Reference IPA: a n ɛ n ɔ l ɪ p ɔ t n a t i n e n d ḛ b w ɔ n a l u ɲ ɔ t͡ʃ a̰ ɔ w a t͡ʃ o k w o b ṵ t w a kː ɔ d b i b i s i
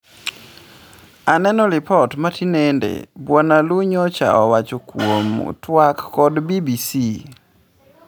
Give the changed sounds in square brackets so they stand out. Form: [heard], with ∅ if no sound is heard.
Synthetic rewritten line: a n ɛ n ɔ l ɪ p ɔ t [m] a t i n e n d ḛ b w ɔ n a l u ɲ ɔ t͡ʃ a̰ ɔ w a t͡ʃ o k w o [m] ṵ t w a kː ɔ d b i b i s i